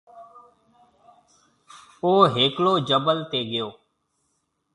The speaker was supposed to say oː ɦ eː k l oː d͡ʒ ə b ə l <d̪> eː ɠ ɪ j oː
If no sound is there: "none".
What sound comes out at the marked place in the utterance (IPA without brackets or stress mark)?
t̪